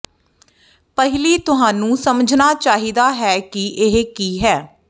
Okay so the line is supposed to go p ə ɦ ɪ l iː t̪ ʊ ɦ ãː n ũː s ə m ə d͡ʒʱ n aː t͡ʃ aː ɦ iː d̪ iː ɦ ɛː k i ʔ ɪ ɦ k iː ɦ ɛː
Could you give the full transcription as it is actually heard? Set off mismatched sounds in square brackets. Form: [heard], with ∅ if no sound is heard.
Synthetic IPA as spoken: p ə ɦ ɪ l iː t̪ ʊ ɦ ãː n ũː s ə m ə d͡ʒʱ n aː t͡ʃ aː ɦ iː d̪ [aː] ɦ ɛː k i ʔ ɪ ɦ k iː ɦ ɛː